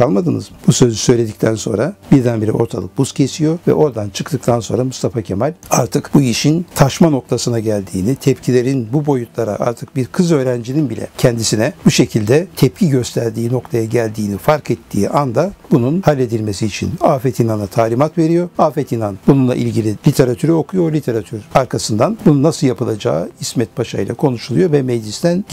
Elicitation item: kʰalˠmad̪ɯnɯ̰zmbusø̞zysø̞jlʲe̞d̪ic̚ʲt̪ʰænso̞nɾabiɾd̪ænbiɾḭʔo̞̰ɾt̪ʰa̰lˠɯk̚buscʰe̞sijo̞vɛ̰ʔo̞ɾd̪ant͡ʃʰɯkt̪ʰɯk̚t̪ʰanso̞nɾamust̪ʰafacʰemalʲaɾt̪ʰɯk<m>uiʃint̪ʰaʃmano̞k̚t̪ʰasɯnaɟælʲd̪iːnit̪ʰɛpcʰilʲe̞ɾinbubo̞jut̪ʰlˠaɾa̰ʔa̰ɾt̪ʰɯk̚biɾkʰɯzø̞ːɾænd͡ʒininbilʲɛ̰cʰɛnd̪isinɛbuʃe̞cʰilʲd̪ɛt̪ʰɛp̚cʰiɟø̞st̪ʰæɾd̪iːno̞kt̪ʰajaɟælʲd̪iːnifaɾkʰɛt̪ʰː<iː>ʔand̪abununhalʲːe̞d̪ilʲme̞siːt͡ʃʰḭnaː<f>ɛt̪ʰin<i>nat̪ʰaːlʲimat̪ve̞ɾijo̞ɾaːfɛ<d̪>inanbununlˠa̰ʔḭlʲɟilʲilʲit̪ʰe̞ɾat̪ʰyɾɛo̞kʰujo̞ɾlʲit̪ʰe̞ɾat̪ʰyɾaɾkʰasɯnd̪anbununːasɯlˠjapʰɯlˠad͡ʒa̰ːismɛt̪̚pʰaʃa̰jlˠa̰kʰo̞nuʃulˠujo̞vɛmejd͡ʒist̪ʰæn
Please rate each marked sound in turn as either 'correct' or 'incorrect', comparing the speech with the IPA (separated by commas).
incorrect, correct, correct, incorrect, incorrect